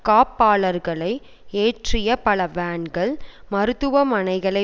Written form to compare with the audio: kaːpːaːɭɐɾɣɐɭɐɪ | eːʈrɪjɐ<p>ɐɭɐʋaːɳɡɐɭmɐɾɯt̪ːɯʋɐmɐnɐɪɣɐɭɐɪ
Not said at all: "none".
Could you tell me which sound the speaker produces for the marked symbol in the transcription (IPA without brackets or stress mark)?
p